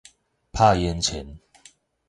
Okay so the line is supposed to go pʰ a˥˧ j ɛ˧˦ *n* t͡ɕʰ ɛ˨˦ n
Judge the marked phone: correct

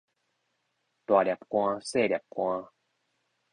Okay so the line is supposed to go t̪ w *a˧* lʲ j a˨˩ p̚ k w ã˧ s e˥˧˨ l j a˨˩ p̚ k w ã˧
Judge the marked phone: incorrect: a˨˩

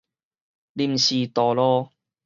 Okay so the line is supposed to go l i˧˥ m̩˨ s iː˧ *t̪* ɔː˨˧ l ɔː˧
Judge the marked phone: correct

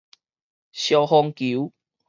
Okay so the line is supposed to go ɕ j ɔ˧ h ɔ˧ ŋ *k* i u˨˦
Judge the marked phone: correct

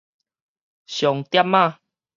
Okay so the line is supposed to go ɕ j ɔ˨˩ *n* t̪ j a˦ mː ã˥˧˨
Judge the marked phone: incorrect: ŋ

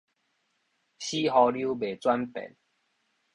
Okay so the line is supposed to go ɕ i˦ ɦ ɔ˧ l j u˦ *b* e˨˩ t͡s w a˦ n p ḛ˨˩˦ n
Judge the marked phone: correct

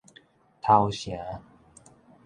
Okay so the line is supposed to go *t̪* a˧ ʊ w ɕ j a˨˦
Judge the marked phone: incorrect: t̪ʰ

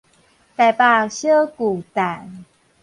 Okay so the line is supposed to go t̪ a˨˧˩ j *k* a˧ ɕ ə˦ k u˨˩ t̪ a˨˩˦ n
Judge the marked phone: incorrect: p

